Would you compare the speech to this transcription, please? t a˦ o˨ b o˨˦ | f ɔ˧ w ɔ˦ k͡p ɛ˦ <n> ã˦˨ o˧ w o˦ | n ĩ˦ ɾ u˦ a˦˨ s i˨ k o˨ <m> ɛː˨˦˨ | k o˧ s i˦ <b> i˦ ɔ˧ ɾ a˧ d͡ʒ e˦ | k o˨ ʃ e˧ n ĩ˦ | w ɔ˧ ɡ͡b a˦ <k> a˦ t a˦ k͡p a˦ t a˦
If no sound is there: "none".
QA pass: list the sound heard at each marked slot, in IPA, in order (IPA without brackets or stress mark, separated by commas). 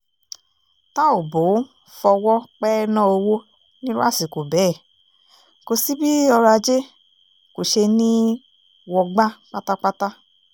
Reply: n, b, b, k͡p